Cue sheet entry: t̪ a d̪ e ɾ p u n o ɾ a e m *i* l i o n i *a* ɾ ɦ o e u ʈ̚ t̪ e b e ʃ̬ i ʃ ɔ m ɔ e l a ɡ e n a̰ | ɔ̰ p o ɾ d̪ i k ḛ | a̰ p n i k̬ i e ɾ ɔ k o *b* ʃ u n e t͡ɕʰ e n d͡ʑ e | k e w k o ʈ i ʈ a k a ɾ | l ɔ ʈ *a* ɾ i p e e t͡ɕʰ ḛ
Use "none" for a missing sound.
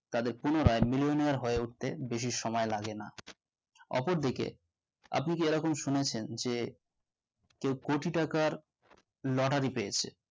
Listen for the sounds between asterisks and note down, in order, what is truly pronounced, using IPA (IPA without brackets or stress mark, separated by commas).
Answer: i, a, m, a